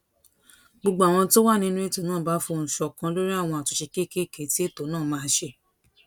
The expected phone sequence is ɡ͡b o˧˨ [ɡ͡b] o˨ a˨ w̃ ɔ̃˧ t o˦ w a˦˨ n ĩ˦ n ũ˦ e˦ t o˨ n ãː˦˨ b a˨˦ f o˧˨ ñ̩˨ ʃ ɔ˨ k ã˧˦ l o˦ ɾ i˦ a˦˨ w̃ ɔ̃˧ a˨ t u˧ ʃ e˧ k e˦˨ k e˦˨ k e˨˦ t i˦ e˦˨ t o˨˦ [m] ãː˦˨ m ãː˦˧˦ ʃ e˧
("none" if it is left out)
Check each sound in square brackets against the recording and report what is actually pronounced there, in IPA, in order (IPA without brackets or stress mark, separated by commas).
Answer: ɡ͡b, n